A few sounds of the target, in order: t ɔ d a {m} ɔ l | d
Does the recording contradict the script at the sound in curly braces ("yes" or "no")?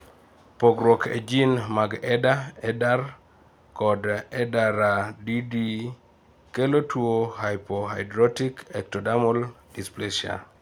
no